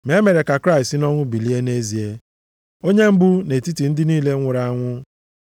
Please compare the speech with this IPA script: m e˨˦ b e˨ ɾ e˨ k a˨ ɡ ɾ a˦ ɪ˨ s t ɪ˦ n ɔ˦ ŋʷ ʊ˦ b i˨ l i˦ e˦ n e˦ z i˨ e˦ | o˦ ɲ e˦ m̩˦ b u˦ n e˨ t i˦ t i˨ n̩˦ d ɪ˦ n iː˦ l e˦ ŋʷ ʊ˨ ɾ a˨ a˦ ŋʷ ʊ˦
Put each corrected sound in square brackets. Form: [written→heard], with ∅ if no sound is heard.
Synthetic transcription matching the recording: m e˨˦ [b→m] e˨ ɾ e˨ k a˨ [ɡ→k] ɾ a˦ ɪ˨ s t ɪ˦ n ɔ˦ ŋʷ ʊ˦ b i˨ l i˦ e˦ n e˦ z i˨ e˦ | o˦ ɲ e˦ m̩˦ b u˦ n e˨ t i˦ t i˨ n̩˦ d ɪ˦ n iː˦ l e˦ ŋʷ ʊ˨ ɾ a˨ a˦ ŋʷ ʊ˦